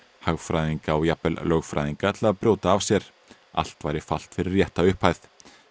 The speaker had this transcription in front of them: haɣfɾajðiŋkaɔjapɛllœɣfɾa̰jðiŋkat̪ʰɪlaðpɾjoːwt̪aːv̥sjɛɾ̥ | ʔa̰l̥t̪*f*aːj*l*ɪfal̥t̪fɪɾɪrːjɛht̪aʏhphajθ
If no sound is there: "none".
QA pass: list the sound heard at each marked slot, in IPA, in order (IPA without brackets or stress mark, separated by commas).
v, ɾ